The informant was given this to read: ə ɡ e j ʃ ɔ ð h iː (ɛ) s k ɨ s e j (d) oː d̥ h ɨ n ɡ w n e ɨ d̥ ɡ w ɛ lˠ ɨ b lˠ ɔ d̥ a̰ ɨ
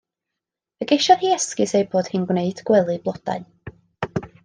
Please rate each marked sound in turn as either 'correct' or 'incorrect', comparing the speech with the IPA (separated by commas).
correct, incorrect